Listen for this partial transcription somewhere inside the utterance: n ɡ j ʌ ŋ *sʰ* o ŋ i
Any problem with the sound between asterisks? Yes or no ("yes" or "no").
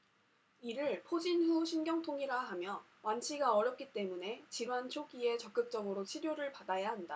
yes